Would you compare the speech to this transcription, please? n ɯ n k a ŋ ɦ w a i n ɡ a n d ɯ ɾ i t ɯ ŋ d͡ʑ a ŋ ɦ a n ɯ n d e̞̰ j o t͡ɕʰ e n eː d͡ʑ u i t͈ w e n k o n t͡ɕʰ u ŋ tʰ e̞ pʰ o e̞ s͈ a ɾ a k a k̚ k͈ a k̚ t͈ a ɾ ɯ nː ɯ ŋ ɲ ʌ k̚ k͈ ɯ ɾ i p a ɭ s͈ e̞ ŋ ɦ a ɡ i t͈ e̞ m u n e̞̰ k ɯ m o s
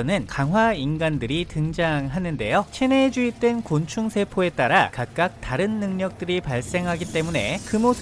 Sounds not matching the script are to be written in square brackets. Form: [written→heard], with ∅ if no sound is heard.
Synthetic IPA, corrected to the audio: n ɯ n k a ŋ ɦ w a i n ɡ a n d ɯ ɾ i t ɯ ŋ d͡ʑ a ŋ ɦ a n ɯ n d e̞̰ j o t͡ɕʰ e n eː d͡ʑ u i t͈ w e n k o n t͡ɕʰ u ŋ [tʰ→sʰ] e̞ pʰ o e̞ [s͈→t͈] a ɾ a k a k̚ k͈ a k̚ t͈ a ɾ ɯ nː ɯ ŋ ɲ ʌ k̚ [k͈→t͈] ɯ ɾ i p a ɭ s͈ e̞ ŋ ɦ a ɡ i t͈ e̞ m u n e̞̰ k ɯ m o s